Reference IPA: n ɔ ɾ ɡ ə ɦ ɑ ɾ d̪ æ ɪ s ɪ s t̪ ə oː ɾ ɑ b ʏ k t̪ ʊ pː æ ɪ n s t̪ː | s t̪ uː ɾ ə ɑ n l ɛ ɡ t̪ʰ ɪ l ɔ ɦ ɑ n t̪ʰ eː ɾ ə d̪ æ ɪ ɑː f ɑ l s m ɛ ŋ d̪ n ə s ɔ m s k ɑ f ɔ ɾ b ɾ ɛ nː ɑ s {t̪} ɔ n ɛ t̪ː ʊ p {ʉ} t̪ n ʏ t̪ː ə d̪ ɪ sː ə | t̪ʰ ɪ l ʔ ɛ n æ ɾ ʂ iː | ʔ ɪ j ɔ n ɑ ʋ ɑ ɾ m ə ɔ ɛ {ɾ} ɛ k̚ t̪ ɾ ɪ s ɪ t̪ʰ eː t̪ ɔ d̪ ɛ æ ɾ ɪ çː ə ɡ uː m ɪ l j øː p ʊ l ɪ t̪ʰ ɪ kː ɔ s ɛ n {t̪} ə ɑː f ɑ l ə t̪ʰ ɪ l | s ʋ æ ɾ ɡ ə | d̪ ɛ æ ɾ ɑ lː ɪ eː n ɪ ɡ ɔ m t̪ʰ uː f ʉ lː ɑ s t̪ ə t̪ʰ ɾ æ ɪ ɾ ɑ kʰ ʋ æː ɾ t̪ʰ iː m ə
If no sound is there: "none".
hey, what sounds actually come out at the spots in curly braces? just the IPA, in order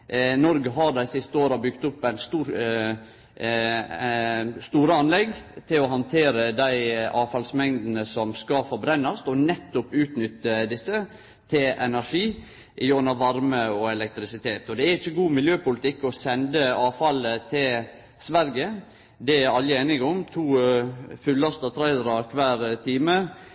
t̪, ʉː, l, d̪

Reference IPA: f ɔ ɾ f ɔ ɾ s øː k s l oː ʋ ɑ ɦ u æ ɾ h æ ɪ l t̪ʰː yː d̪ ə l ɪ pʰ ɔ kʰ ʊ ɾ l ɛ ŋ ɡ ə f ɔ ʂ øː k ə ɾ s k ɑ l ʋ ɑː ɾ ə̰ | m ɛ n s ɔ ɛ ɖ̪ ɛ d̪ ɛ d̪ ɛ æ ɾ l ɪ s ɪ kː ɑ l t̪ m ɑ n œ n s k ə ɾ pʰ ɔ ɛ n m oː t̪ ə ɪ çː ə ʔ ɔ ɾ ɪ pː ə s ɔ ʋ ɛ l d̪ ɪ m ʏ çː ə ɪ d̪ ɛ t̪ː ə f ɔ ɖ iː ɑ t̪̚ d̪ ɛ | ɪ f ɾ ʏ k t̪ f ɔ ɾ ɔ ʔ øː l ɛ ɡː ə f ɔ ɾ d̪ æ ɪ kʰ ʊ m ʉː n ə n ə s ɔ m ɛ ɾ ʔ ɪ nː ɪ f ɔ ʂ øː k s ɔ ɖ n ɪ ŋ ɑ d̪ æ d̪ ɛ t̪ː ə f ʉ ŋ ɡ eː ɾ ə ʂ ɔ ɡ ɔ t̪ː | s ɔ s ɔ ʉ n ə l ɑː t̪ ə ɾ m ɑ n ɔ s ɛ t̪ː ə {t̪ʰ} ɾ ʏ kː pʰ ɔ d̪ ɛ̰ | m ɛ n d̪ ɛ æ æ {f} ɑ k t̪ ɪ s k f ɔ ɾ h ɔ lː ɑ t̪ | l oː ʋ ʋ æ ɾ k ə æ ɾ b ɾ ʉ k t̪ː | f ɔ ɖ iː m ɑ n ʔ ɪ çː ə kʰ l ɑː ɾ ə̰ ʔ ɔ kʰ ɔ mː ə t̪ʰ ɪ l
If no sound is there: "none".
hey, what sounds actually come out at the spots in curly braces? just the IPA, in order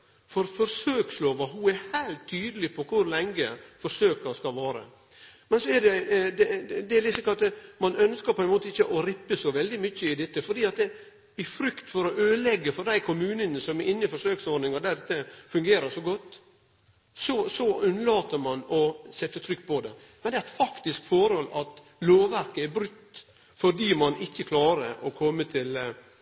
t̪ʰ, f

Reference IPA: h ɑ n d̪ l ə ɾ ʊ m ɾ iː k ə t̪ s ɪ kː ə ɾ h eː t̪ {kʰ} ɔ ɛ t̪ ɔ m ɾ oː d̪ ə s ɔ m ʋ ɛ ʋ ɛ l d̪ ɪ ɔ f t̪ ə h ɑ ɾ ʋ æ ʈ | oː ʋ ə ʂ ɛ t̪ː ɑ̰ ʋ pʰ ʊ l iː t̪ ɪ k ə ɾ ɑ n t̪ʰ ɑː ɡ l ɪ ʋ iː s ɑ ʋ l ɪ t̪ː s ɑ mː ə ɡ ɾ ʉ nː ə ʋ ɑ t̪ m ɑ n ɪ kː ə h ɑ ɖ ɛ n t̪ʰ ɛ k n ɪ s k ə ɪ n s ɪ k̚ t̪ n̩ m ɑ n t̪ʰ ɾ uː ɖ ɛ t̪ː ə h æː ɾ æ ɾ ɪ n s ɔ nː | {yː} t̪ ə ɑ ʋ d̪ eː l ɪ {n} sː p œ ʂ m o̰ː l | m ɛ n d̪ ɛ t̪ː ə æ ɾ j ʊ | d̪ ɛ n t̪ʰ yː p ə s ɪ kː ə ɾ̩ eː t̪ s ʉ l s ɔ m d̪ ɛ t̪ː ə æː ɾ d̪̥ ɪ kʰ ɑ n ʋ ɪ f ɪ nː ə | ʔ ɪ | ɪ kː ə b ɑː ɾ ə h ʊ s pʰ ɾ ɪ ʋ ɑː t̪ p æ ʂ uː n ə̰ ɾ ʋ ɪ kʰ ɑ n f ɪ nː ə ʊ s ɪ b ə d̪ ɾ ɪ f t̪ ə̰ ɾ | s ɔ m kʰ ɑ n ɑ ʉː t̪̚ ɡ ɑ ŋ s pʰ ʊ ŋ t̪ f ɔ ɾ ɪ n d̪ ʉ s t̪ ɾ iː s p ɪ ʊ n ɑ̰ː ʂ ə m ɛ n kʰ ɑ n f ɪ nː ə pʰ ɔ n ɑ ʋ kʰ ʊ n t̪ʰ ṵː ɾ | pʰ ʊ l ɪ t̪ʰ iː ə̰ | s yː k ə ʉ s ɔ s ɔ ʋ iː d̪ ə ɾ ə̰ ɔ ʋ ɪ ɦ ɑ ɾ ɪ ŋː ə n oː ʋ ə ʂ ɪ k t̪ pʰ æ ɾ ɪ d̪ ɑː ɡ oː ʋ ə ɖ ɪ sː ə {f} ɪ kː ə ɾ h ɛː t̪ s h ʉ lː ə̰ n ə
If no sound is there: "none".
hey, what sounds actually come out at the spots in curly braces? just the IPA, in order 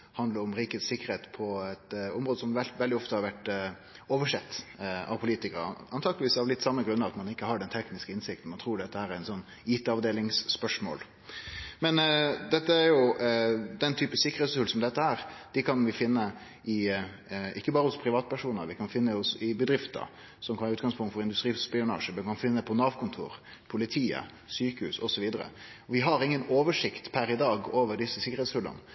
pʰ, iː, ŋ, s

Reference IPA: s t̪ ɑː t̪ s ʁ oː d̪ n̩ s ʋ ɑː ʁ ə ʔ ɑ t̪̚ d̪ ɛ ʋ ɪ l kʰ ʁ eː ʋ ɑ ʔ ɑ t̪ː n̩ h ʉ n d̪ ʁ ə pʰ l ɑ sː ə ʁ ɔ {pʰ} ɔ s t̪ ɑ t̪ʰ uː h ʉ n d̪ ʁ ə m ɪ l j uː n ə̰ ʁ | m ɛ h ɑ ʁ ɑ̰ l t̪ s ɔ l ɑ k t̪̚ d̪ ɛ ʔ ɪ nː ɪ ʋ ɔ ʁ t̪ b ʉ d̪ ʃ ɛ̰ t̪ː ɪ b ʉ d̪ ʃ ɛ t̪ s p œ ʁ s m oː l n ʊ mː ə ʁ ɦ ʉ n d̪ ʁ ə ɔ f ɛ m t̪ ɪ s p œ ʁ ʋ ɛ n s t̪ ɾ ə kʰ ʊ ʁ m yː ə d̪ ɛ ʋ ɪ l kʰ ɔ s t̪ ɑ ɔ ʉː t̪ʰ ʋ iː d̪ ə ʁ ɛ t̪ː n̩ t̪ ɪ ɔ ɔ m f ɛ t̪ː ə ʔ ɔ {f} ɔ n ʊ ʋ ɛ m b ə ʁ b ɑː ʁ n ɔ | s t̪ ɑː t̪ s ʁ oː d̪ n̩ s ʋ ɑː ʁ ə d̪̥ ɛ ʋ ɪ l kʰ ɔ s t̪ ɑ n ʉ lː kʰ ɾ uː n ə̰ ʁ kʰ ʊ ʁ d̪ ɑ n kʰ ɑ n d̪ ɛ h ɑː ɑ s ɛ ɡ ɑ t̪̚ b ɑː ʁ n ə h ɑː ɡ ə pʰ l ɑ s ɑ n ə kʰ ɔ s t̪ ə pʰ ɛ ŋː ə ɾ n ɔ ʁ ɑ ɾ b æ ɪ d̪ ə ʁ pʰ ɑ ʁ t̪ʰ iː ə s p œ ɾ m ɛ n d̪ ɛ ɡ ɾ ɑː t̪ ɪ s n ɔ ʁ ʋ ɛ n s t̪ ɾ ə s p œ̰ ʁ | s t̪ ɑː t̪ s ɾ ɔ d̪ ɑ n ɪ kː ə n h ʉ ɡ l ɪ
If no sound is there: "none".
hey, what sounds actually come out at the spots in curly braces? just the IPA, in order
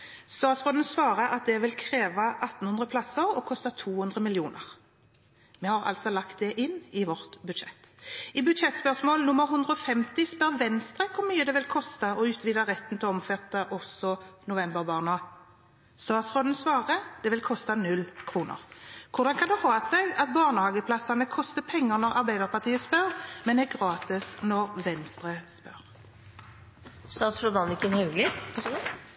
kʰ, s

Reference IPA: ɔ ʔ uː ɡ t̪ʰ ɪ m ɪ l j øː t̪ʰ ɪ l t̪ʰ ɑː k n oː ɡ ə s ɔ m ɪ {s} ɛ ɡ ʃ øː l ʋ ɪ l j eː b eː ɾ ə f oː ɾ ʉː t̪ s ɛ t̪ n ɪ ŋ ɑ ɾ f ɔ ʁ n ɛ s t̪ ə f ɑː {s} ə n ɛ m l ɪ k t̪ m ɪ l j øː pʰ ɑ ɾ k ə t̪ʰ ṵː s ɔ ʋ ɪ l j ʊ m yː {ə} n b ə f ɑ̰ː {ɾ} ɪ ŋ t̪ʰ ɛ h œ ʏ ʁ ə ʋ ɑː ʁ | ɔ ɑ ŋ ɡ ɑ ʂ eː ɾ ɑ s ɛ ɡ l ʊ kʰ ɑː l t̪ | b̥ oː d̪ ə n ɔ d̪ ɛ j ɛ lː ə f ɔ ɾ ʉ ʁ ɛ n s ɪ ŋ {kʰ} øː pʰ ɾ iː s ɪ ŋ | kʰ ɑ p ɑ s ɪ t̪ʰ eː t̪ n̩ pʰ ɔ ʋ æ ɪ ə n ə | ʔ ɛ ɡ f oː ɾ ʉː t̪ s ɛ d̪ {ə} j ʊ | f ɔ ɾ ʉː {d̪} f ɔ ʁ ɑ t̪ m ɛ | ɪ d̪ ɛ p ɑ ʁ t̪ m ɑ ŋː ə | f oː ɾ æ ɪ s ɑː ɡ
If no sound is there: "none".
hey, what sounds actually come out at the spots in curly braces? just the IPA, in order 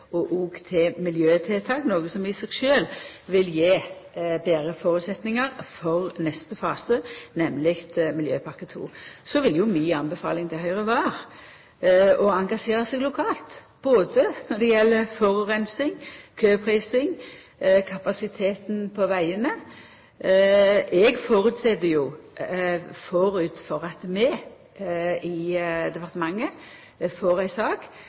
s, s, ɑ, l, kʰ, ə, t̪

